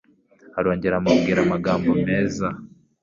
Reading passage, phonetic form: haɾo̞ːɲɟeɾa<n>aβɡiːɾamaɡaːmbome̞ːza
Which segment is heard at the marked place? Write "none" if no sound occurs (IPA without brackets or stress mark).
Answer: m